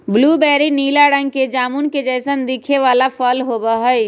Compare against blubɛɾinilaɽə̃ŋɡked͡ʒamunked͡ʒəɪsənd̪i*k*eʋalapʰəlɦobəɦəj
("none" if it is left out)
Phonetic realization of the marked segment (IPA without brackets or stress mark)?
kʰ